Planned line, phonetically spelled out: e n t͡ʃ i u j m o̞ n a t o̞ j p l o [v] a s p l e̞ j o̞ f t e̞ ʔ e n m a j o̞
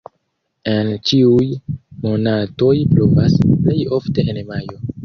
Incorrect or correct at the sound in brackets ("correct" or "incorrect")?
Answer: correct